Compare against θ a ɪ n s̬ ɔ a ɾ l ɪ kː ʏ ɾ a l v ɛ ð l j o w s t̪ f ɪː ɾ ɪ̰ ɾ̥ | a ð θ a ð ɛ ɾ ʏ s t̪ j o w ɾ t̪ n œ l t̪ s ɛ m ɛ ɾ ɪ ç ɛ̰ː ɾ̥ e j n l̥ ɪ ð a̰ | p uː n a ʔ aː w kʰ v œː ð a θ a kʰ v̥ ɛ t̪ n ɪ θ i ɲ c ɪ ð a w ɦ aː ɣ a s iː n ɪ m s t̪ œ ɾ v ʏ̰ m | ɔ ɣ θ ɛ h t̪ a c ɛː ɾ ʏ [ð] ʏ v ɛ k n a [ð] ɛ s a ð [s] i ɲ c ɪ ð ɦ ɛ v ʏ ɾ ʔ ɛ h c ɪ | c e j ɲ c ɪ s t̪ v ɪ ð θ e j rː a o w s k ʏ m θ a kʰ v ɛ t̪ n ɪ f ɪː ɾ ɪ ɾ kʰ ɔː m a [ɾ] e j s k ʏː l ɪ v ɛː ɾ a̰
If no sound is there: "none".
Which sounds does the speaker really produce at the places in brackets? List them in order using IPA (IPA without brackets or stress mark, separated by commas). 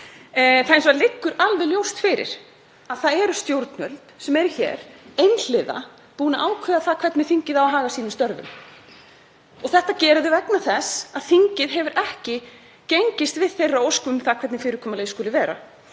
ð, θ, θ, l